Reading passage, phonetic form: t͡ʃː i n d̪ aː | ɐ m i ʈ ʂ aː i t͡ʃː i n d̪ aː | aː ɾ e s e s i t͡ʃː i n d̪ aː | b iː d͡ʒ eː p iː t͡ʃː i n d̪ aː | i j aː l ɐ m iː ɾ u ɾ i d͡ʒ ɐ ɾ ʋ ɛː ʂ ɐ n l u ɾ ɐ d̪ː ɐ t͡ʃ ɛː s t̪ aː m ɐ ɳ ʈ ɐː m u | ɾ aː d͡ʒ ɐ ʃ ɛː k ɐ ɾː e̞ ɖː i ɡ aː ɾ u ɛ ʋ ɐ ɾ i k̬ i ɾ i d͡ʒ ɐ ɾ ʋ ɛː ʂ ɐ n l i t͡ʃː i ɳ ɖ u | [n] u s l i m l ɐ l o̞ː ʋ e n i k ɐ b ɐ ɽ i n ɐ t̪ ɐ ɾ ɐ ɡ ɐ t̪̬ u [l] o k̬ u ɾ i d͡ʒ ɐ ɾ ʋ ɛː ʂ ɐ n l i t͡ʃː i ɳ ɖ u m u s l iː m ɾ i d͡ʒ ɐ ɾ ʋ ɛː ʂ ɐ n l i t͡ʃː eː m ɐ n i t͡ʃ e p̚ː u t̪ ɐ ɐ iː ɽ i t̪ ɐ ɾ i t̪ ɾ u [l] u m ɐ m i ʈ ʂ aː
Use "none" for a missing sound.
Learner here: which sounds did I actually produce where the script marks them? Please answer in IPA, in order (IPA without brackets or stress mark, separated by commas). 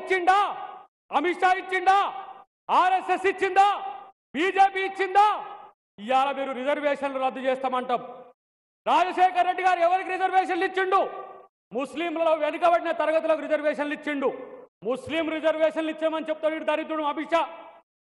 m, l, ɽ